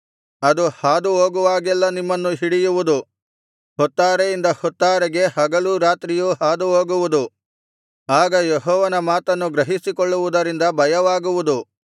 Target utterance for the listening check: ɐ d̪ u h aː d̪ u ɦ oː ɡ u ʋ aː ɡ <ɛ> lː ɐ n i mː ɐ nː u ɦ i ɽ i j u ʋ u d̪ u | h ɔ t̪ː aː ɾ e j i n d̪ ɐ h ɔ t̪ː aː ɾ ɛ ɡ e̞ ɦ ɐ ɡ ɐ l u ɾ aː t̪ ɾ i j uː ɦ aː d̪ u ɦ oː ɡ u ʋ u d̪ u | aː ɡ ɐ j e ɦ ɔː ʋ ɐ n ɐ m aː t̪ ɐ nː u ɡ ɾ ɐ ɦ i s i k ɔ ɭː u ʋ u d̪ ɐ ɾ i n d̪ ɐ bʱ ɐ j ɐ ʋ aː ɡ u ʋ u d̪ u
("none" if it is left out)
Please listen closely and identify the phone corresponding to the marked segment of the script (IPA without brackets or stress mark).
ɛ